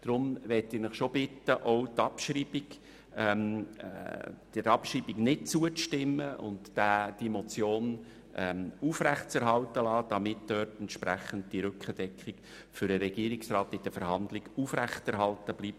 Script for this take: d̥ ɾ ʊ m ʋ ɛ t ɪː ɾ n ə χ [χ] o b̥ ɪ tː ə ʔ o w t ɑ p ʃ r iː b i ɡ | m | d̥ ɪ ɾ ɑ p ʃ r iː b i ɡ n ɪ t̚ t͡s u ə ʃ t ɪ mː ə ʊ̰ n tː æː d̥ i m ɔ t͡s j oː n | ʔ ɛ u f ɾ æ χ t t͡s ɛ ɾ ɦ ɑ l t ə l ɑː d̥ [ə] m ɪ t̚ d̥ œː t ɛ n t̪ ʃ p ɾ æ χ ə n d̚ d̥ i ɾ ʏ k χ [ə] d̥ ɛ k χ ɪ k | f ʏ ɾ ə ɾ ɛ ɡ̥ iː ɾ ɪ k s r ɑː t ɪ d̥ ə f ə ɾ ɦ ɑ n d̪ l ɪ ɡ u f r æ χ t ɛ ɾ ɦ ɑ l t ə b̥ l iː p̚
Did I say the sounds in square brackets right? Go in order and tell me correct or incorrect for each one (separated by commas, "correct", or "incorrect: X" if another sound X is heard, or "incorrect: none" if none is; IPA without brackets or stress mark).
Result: incorrect: ʃ, incorrect: ɑ, correct